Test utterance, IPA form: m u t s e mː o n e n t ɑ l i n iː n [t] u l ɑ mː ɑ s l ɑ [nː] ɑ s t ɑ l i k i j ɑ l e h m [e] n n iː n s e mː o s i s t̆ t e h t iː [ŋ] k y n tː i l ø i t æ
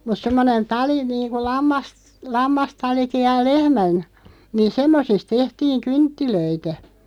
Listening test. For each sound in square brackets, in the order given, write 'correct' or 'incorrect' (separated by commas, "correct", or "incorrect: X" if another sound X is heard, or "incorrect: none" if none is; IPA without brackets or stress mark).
incorrect: k, incorrect: mː, incorrect: æ, correct